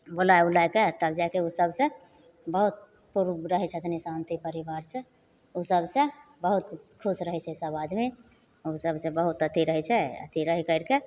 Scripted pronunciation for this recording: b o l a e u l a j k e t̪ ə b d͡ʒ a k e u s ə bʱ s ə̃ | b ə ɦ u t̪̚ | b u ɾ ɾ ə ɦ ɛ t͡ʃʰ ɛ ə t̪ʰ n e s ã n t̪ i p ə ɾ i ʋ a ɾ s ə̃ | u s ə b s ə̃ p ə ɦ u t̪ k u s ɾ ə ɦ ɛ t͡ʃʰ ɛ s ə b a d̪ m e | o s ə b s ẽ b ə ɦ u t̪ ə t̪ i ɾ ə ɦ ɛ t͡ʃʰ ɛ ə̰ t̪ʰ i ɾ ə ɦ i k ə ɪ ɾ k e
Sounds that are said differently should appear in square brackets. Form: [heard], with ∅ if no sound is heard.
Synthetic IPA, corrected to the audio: b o l a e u l a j k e t̪ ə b d͡ʒ a k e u s ə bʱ s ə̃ | b ə ɦ u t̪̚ | [p] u ɾ ɾ ə ɦ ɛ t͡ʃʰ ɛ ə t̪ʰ n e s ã n t̪ i p ə ɾ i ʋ a ɾ s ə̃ | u s ə b s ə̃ [b] ə ɦ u t̪ [kʰ] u s ɾ ə ɦ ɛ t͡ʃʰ ɛ s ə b a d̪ m e | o s ə b s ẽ b ə ɦ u t̪ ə t̪ i ɾ ə ɦ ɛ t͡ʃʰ ɛ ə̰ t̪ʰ i ɾ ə ɦ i k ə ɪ ɾ k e